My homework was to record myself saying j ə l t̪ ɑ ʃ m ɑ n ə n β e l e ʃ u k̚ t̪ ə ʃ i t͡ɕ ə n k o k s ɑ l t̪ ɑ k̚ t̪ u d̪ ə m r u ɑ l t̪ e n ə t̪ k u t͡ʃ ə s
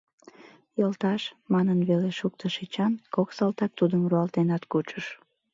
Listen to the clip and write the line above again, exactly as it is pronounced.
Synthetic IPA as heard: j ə l t̪ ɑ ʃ m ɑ n ə n β e l e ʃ u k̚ t̪ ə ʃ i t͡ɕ ɑ n k o k s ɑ l t̪ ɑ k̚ t̪ u d̪ ə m r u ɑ l t̪ e n ɑ t̪ k u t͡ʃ ə ʃ